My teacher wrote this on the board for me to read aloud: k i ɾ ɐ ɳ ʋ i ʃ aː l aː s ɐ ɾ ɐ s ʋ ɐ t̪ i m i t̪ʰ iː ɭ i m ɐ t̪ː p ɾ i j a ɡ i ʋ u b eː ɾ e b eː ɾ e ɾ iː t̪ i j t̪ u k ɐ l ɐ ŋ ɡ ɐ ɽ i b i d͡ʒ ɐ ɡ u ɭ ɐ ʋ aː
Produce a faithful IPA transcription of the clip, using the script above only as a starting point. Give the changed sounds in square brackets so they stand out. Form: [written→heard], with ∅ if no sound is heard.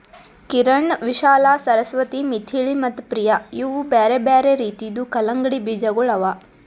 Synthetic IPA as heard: k i ɾ ɐ ɳ ʋ i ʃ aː l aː s ɐ ɾ ɐ s ʋ ɐ t̪ i m i t̪ʰ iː ɭ i m ɐ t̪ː p ɾ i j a [ɡ→∅] i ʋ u b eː ɾ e b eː ɾ e ɾ iː t̪ i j [t̪→d̪] u k ɐ l ɐ ŋ ɡ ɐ ɽ i b i d͡ʒ ɐ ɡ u ɭ ɐ ʋ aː